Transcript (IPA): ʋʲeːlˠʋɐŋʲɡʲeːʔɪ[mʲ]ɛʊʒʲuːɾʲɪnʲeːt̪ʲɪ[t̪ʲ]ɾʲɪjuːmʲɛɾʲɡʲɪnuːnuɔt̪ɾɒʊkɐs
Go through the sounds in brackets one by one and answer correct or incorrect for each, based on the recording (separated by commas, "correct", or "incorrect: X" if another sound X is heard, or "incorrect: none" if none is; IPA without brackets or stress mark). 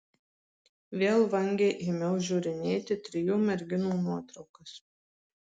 correct, correct